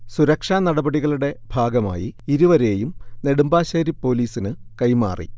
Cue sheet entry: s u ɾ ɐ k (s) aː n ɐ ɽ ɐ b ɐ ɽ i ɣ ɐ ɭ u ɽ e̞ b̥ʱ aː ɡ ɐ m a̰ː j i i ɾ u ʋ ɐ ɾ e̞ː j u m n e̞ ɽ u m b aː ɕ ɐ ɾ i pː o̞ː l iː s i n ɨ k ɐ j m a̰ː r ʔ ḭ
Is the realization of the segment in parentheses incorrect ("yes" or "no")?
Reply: yes